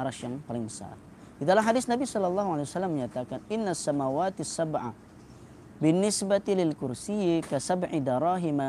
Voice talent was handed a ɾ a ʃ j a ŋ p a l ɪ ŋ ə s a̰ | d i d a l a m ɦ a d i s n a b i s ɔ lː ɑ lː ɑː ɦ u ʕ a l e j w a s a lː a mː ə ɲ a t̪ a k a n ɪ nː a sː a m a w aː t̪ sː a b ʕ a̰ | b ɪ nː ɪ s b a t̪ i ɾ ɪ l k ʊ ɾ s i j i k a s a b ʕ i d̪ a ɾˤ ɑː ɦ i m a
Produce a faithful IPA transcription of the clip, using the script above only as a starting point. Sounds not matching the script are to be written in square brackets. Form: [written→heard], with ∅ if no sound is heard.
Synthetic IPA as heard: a ɾ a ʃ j a ŋ p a l ɪ ŋ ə s a̰ | d i d a l a m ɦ a d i s n a b i s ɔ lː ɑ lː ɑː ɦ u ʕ a l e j w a s a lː a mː ə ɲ a t̪ a k a n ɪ nː a sː a m a w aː t̪ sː a b ʕ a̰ | b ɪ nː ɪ s b a t̪ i [ɾ→l] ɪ l k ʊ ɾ s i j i k a s a b ʕ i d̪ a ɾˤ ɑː ɦ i m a